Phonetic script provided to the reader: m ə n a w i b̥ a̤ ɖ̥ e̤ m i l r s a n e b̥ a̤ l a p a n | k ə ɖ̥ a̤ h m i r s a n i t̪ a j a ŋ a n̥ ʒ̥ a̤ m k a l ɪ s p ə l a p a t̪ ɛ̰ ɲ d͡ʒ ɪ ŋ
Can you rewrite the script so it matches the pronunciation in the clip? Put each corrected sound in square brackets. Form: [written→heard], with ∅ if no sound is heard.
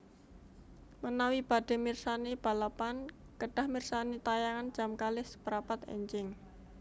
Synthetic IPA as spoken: m ə n a w i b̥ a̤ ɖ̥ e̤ m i [l→∅] r s a n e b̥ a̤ l a p a n | k ə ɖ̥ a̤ h m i r s a n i t̪ a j a ŋ a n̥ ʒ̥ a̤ m k a l ɪ s p ə [l→ɾ] a p a t̪ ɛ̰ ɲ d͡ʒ ɪ ŋ